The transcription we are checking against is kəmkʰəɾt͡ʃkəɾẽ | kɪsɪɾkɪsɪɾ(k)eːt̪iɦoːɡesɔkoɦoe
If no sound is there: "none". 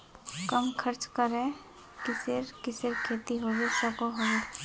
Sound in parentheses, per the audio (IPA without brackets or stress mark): kʰ